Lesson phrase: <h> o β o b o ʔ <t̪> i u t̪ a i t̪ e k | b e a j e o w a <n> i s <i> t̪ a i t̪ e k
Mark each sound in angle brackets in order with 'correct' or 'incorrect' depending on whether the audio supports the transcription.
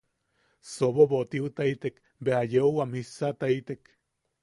incorrect, correct, incorrect, incorrect

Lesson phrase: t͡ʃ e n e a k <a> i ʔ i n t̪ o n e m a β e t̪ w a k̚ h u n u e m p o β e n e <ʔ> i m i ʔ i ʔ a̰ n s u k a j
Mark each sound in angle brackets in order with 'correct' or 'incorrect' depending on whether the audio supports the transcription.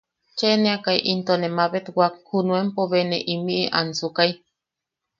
correct, correct

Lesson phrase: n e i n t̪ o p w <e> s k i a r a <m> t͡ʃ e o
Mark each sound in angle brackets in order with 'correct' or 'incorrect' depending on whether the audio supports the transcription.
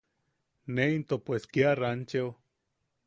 correct, incorrect

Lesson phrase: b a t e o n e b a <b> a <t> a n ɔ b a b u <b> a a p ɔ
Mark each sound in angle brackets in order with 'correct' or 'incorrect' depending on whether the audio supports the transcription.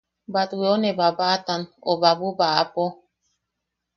correct, correct, correct

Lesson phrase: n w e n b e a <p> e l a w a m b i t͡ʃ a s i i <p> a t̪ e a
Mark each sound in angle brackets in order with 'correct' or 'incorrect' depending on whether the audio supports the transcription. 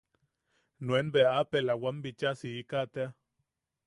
correct, incorrect

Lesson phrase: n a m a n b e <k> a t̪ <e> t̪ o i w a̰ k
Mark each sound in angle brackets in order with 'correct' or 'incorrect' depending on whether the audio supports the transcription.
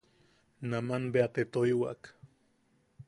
incorrect, correct

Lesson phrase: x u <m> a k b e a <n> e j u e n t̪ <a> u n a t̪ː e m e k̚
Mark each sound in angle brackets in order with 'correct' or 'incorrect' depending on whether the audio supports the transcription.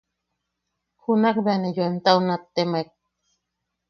incorrect, correct, correct

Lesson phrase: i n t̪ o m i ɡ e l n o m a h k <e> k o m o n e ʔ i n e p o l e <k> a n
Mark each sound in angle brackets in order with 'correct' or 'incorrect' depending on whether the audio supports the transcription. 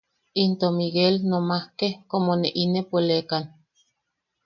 correct, correct

